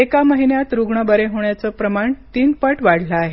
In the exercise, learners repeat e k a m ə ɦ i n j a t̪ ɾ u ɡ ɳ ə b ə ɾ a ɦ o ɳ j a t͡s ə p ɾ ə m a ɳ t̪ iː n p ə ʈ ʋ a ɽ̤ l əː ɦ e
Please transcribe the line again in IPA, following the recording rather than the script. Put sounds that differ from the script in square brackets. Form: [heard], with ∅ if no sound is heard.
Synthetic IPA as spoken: e k a m ə ɦ i n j a t̪ ɾ u ɡ ɳ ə b ə ɾ [e] ɦ o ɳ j a t͡s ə p ɾ ə m a ɳ t̪ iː n p ə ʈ ʋ a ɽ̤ l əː ɦ e